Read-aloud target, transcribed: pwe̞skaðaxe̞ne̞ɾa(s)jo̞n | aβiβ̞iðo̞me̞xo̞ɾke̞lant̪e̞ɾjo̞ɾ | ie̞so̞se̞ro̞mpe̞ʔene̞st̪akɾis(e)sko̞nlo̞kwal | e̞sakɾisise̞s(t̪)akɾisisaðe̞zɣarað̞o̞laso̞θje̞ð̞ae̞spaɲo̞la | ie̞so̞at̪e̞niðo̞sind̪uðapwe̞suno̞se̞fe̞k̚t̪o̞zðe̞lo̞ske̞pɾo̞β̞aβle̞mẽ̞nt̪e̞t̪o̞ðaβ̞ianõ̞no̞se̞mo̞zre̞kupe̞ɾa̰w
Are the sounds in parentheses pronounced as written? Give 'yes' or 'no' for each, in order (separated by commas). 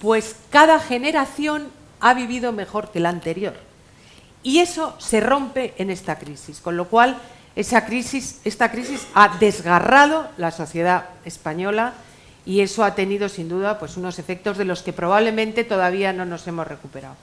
no, no, yes